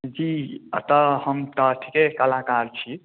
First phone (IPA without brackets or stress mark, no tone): d͡ʒ